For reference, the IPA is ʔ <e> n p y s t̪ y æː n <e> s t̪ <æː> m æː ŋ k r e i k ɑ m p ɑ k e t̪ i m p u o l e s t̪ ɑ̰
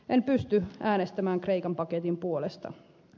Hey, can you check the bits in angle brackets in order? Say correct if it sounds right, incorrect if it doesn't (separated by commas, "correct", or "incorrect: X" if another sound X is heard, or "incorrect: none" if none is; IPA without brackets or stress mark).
correct, correct, incorrect: æ